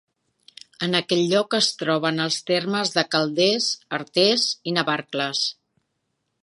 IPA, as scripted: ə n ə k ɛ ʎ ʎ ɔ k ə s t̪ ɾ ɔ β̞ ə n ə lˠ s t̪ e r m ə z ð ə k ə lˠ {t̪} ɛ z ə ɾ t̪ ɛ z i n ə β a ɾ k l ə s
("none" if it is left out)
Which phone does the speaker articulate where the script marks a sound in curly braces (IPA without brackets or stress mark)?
d̪